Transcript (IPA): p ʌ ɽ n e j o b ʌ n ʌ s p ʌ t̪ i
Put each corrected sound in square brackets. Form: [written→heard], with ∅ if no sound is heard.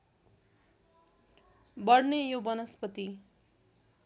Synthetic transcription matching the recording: [p→b] ʌ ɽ n e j o b ʌ n ʌ s p ʌ t̪ i

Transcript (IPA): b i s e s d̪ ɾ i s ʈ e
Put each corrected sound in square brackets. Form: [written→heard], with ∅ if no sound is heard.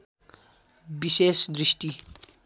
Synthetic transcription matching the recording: b i s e s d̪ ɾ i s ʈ [e→i]

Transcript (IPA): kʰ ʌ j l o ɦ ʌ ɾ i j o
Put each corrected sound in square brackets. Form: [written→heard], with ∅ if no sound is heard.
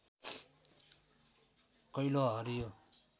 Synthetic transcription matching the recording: [kʰ→k] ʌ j l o ɦ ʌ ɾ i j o

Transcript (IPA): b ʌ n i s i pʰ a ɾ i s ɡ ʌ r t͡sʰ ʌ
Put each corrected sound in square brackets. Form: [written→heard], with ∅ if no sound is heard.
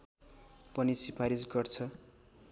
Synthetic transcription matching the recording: [b→p] ʌ n i s i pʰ a ɾ i s ɡ ʌ r t͡sʰ ʌ

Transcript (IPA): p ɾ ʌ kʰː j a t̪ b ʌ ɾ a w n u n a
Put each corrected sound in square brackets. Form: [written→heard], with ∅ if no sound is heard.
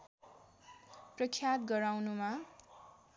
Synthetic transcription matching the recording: p [ɾ→r] ʌ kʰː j a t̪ [b→ɡ] ʌ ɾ a w n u [n→m] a

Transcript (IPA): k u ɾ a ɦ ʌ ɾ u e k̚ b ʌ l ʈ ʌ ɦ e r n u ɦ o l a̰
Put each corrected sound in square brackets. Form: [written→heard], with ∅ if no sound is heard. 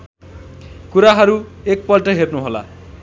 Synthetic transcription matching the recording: k u ɾ a ɦ ʌ ɾ u e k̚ [b→p] ʌ l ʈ ʌ ɦ e r n u ɦ o l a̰

